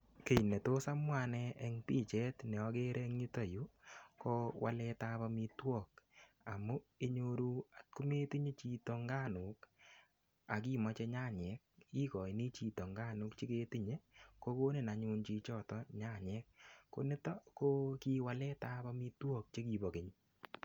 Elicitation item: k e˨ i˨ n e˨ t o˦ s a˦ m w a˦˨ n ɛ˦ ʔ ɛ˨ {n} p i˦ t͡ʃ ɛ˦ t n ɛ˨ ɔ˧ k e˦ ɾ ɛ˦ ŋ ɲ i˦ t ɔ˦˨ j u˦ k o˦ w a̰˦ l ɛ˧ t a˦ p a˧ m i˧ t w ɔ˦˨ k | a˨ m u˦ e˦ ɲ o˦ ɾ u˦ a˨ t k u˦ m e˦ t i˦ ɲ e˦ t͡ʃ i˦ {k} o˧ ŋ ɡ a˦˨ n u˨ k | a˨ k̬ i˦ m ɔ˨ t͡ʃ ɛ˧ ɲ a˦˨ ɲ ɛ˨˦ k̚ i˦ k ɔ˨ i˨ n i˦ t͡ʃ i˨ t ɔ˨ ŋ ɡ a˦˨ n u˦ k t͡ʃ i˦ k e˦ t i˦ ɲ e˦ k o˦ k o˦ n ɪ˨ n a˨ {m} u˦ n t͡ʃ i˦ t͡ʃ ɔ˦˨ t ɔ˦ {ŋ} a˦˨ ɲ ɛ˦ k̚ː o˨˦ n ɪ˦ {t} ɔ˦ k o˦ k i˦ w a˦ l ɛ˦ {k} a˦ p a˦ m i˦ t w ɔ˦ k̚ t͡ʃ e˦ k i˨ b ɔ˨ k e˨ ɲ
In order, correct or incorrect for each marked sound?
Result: incorrect, incorrect, incorrect, incorrect, correct, incorrect

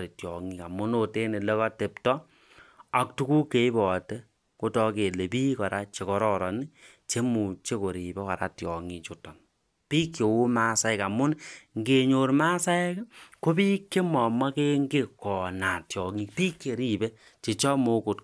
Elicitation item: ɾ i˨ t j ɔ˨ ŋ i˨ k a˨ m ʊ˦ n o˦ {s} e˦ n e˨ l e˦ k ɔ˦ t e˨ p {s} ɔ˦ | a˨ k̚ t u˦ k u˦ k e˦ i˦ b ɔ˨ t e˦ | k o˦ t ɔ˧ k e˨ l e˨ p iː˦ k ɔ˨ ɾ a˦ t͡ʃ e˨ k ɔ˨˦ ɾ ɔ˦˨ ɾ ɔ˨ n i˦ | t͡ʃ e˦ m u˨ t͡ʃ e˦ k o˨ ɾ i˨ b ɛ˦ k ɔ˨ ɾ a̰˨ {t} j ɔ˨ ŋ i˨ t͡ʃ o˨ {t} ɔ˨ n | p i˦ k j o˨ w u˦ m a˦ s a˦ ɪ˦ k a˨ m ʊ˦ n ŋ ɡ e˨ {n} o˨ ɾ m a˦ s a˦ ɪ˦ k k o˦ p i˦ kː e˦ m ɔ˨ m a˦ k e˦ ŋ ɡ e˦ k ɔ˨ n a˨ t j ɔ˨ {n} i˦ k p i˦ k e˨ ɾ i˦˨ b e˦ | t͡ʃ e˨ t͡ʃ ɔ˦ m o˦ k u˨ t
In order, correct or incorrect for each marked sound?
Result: incorrect, incorrect, correct, correct, incorrect, incorrect

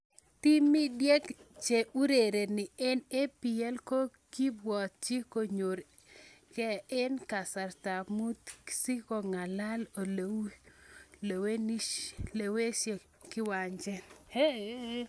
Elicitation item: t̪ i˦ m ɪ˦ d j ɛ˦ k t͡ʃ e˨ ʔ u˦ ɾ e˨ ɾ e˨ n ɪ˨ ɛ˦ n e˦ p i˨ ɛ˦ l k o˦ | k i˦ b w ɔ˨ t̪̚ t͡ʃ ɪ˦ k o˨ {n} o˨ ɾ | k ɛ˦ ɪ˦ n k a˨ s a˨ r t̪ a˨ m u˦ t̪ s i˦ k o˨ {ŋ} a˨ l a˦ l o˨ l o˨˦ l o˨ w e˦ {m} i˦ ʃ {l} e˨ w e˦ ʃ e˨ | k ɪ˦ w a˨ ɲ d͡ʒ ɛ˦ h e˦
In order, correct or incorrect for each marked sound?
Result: incorrect, correct, incorrect, correct

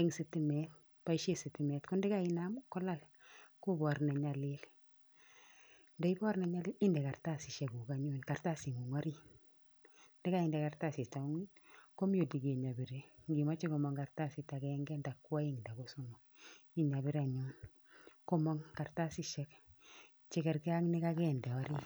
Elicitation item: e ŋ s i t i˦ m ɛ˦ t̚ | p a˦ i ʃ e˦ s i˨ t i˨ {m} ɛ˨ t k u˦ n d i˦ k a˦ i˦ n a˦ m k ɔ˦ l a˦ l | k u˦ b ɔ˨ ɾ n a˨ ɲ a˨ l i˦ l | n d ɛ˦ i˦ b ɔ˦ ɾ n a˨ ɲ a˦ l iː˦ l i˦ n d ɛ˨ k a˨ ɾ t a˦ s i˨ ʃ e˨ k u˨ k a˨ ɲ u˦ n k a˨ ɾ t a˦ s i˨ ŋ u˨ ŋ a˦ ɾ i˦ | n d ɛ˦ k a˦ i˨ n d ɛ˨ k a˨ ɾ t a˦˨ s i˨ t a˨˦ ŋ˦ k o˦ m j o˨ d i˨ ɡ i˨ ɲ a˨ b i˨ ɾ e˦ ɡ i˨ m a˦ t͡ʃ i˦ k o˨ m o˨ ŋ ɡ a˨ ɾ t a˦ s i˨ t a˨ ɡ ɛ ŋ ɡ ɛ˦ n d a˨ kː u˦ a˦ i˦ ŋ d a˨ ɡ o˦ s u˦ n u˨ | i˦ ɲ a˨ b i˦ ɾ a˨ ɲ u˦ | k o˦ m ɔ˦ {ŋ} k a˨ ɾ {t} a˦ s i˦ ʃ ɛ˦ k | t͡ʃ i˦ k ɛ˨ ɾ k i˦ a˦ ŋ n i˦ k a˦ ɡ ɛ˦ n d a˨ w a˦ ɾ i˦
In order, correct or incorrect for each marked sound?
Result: correct, correct, correct

